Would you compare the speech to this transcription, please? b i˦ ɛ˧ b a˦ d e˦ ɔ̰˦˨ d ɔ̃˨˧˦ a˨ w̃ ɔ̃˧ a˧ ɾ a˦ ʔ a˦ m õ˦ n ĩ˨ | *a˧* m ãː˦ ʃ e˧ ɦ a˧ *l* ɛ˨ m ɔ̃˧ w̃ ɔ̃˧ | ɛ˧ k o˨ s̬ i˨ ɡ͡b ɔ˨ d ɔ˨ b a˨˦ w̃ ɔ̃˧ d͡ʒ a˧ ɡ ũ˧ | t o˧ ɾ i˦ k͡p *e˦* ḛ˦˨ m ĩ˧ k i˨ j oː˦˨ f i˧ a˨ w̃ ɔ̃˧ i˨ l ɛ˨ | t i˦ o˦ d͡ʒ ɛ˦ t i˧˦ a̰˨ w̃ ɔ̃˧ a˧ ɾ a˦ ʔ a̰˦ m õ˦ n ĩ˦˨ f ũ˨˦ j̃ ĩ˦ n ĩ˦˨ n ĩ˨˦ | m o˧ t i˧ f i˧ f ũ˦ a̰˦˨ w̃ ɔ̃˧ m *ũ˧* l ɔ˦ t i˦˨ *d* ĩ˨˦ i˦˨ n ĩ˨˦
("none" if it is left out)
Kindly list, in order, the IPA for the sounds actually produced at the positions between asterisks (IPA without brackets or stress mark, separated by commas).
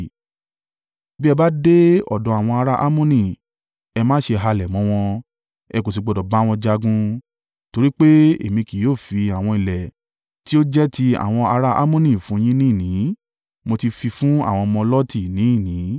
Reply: ɛ˧, l, e˦, ɔ̃˧, n